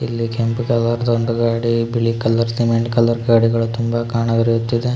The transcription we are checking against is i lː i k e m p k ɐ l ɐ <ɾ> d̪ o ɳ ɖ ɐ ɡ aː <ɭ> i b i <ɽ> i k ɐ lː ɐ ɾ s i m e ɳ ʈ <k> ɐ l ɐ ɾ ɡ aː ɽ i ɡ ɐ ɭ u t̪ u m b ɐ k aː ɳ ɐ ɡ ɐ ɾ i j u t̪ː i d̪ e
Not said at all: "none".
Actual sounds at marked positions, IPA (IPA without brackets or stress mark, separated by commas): ɾ, ɽ, ɭ, k